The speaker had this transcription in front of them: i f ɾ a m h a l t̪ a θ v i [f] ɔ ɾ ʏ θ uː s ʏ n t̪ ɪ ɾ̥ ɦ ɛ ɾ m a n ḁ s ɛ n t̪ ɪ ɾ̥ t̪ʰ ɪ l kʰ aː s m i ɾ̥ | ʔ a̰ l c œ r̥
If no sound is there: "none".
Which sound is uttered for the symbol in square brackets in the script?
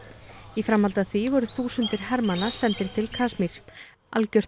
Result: v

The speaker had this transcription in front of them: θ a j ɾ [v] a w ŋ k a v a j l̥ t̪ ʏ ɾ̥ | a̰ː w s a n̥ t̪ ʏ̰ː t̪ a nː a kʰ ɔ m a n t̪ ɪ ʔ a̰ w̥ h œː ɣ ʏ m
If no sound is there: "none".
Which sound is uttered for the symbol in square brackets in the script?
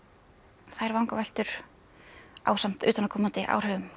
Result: v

